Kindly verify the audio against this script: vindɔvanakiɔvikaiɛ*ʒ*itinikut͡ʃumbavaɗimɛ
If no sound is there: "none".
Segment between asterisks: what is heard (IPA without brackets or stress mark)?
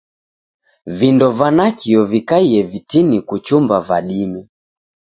v